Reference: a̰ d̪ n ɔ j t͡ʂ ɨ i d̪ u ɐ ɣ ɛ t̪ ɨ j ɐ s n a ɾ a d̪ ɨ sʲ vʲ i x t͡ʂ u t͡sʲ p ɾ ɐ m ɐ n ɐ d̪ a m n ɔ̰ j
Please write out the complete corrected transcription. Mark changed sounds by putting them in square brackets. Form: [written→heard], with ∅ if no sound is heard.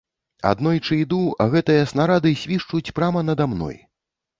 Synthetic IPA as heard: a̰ d̪ n ɔ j t͡ʂ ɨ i d̪ u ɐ ɣ ɛ t̪ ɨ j ɐ s n a ɾ a d̪ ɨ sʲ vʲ i [x→ʂ] t͡ʂ u t͡sʲ p ɾ [ɐ→a] m ɐ n ɐ d̪ a m n ɔ̰ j